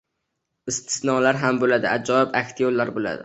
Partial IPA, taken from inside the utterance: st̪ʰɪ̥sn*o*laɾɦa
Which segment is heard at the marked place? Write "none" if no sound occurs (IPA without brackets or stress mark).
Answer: ɒ